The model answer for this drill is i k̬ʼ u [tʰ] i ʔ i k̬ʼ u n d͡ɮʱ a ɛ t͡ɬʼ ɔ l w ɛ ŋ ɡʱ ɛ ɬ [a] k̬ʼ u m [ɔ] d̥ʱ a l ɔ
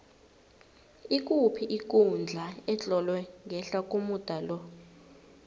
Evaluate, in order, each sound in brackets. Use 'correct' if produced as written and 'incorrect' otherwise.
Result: incorrect: pʰ, correct, incorrect: u

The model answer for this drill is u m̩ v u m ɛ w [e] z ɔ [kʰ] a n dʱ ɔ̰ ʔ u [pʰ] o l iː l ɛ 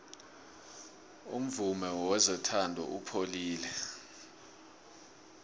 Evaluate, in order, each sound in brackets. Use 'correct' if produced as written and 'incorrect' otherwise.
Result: incorrect: ɛ, incorrect: tʰ, correct

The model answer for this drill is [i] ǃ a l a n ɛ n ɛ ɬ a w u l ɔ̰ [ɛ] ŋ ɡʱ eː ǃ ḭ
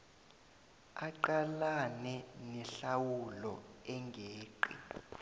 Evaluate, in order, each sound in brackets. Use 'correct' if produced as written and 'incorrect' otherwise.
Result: incorrect: a, correct

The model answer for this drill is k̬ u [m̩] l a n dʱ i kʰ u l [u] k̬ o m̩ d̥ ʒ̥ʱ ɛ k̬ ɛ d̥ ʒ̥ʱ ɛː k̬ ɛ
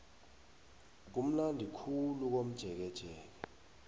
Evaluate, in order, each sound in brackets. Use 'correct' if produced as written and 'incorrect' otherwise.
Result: correct, correct

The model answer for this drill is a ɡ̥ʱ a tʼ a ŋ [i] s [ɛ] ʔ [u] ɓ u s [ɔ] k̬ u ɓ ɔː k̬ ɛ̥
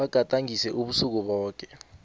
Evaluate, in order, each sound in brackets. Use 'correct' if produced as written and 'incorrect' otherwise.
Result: correct, correct, correct, incorrect: u

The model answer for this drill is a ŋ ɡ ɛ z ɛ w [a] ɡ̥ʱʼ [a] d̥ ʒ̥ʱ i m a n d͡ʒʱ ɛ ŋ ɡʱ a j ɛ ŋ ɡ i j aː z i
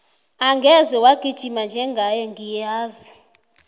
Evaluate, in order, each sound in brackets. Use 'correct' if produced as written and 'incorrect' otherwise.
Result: correct, incorrect: i

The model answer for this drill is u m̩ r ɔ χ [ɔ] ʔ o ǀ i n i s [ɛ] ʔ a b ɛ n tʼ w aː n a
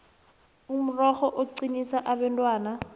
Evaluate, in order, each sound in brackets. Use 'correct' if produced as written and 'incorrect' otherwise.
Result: correct, incorrect: a

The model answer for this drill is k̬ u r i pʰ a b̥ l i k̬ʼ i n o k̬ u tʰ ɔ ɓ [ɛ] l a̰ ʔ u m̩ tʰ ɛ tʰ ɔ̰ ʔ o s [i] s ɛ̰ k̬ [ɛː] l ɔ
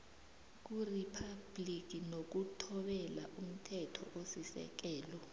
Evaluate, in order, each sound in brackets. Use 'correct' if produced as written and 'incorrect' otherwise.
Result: correct, correct, correct

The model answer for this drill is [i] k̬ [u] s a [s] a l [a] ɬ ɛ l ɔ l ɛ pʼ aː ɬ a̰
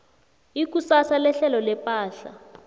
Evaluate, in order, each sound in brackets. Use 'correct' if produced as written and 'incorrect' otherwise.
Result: correct, correct, correct, incorrect: ɛ

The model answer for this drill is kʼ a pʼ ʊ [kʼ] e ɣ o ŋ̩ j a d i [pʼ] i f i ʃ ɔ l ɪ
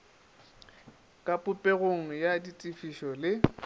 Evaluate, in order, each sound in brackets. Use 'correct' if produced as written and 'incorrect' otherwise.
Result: incorrect: pʼ, incorrect: tʼ

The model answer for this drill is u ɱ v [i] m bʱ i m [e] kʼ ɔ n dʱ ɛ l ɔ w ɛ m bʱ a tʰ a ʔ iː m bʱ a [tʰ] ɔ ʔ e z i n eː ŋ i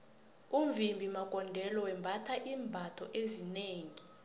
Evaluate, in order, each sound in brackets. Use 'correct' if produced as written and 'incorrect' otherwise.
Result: correct, incorrect: a, correct

